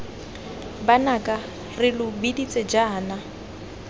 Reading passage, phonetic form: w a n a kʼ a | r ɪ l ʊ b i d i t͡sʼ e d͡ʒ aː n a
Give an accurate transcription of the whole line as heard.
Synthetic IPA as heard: b a n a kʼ a | r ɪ l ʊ b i d i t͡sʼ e d͡ʒ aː n a